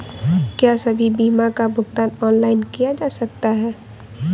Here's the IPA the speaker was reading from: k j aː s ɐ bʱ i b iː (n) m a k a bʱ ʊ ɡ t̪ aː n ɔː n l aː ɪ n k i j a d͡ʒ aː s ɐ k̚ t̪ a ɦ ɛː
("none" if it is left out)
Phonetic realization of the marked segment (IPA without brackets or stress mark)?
none